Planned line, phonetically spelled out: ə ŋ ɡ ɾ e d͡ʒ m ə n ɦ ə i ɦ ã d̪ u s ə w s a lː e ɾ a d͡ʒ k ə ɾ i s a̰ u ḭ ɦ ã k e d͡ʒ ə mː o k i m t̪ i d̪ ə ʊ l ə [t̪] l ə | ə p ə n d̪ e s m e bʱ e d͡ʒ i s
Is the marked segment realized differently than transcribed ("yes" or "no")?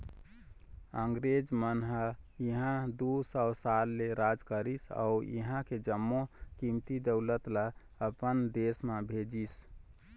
no